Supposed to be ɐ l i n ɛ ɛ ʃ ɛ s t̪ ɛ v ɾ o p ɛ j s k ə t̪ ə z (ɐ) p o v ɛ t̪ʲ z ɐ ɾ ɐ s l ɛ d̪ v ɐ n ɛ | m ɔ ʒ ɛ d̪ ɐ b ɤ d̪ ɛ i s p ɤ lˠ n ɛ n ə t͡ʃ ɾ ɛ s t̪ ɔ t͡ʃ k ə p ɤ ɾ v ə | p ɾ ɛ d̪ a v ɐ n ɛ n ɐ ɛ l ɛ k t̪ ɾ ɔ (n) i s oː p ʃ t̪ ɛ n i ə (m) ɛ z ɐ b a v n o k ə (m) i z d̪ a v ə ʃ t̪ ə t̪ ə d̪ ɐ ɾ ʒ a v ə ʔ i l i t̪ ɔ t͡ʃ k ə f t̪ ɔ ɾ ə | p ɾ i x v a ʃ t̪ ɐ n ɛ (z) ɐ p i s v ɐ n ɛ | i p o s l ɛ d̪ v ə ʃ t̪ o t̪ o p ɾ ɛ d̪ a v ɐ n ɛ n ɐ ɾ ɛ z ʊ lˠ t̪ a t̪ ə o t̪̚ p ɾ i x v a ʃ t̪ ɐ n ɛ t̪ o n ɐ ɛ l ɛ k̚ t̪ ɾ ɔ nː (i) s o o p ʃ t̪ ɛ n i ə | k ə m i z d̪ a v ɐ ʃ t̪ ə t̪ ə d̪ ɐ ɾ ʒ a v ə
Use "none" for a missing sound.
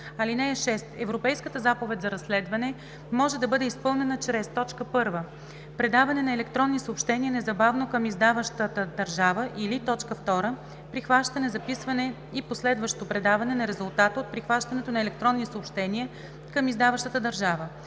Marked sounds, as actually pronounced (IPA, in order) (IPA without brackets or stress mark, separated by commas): a, nː, n, m, z, i